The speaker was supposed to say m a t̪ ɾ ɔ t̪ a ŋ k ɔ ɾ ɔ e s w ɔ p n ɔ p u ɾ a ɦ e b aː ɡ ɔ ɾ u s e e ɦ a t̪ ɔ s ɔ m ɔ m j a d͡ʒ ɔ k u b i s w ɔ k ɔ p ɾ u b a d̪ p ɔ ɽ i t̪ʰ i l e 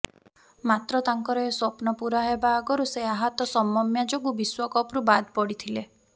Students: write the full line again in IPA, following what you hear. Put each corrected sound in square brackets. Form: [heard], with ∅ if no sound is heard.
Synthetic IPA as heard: m a t̪ ɾ ɔ t̪ a ŋ k ɔ ɾ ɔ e s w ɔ p n ɔ p u ɾ a ɦ e b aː ɡ ɔ ɾ u s e [a] ɦ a t̪ ɔ s ɔ m ɔ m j a d͡ʒ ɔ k u b i s w ɔ k ɔ p ɾ u b a d̪ p ɔ ɽ i t̪ʰ i l e

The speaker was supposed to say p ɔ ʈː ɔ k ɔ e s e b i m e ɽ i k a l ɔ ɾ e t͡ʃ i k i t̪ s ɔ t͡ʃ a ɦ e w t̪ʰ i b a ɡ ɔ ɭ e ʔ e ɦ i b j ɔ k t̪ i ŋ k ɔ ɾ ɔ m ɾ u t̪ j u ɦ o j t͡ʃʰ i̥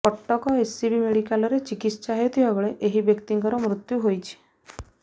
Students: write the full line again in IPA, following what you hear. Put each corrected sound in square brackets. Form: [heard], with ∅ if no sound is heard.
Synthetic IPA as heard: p ɔ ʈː ɔ k ɔ e s [i] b i m e ɽ i k a l ɔ ɾ e t͡ʃ i k i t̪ s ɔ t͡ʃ a ɦ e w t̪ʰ i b a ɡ ɔ ɭ e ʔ e ɦ i b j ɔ k t̪ i ŋ k ɔ ɾ ɔ m ɾ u t̪ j u ɦ o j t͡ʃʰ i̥

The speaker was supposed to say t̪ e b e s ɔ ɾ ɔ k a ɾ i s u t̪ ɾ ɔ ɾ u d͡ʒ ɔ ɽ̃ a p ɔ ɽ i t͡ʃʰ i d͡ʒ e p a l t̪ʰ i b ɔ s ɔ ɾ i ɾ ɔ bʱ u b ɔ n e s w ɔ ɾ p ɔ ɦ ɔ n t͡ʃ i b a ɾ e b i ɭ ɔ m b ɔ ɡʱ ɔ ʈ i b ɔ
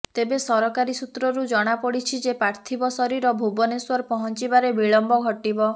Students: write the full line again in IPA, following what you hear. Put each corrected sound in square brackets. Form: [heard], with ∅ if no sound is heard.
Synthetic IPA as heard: t̪ e b e s ɔ ɾ ɔ k a ɾ i s u t̪ ɾ ɔ ɾ u d͡ʒ ɔ ɽ̃ a p ɔ ɽ i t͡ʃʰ i d͡ʒ e p a [ɾ] t̪ʰ i b ɔ s ɔ ɾ i ɾ ɔ bʱ u b ɔ n e s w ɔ ɾ p ɔ ɦ ɔ n t͡ʃ i b a ɾ e b i ɭ ɔ m b ɔ ɡʱ ɔ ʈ i b ɔ

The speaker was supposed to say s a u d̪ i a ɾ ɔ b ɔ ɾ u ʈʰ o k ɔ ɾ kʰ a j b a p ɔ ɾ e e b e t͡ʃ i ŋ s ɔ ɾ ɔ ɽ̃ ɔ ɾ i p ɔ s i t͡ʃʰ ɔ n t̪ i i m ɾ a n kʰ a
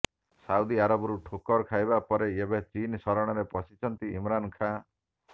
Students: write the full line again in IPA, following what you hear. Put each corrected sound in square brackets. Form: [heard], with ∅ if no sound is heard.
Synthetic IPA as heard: s a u d̪ i a ɾ ɔ b ɔ ɾ u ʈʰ o k ɔ ɾ kʰ a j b a p ɔ ɾ e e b e t͡ʃ i [n] s ɔ ɾ ɔ ɽ̃ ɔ ɾ [e] p ɔ s i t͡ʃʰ ɔ n t̪ i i m ɾ a n kʰ a

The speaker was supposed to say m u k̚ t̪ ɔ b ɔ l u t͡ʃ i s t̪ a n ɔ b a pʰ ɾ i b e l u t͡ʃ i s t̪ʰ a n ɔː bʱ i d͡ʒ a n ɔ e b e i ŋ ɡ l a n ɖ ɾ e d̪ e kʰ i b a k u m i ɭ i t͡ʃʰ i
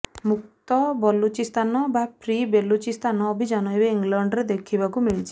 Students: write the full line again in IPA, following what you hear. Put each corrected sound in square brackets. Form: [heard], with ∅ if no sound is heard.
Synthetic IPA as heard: m u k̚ t̪ ɔ b ɔ l u t͡ʃ i s t̪ a n ɔ b a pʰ ɾ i b e l u t͡ʃ i s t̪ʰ a n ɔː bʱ i d͡ʒ a n ɔ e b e i ŋ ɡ l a [ɳ] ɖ ɾ e d̪ e kʰ i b a k u m i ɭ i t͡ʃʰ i

